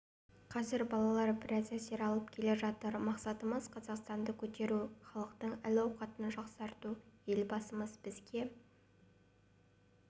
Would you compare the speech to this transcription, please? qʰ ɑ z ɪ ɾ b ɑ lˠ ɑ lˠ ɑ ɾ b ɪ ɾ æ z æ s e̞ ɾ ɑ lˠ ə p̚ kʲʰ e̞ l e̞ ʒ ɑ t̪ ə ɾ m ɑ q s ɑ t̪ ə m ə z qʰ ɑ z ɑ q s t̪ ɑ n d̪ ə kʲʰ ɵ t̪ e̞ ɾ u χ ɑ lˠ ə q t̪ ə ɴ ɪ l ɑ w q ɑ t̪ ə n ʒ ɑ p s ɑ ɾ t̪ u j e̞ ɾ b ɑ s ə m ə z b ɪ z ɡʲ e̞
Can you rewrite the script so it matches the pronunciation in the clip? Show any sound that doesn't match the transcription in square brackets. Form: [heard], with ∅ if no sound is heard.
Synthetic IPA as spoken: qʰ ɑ z ɪ ɾ b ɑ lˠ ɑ lˠ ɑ ɾ b ɪ ɾ æ z æ s e̞ ɾ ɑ lˠ ə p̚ kʲʰ e̞ l e̞ ʒ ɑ t̪ ə ɾ m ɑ q s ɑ t̪ ə m ə z qʰ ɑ z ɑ q s t̪ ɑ n d̪ ə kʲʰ ɵ t̪ e̞ ɾ u χ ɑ lˠ ə q t̪ ə ɴ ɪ l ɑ w q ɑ t̪ ə n ʒ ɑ [q] s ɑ ɾ t̪ u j e̞ [l] b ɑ s ə m ə z b ɪ z ɡʲ e̞